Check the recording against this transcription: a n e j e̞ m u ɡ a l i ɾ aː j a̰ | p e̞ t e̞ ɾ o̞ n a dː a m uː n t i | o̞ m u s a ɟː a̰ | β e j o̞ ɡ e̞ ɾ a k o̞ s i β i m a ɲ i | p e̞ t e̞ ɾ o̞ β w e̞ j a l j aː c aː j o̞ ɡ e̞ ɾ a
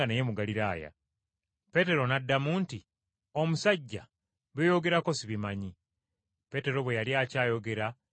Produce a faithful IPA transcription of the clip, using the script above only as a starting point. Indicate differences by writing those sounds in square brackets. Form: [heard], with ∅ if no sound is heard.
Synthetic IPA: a n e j e̞ m u ɡ a l i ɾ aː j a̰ | p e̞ t e̞ ɾ o̞ n a dː a m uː n t i | o̞ m u s a ɟː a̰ | β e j o̞ ɡ e̞ ɾ a k o̞ s i β i m a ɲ i | p e̞ t e̞ ɾ o̞ β w e̞ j a l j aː c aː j o̞ ɡ e̞ ɾ a